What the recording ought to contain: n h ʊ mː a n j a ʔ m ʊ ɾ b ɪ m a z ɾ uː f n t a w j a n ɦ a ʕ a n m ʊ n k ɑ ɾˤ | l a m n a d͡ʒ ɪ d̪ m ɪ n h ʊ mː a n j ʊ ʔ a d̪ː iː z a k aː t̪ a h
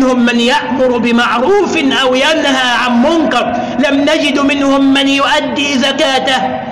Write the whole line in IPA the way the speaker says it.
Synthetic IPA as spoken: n h ʊ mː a n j a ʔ m ʊ ɾ b ɪ m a ʕ ɾ uː f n ʔ a w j a n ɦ a ʕ a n m ʊ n k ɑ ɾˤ | l a m n a d͡ʒ ɪ d̪ m ɪ n h ʊ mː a n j ʊ ʔ a d̪ː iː z a k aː t̪ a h